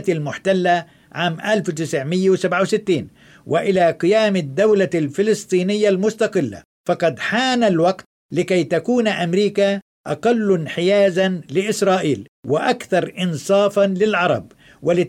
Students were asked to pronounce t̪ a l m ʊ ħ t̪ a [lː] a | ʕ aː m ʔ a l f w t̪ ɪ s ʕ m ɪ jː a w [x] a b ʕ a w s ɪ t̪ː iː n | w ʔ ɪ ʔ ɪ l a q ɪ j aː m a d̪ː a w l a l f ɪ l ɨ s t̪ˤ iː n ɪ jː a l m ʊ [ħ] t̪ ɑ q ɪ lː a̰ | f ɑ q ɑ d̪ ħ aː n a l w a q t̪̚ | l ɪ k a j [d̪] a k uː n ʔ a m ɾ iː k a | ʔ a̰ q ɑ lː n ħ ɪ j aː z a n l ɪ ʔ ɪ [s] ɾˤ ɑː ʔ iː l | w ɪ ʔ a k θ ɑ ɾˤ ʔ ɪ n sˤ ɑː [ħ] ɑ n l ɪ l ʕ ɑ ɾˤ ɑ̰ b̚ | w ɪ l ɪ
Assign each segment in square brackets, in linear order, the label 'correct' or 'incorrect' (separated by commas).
correct, incorrect, incorrect, incorrect, correct, incorrect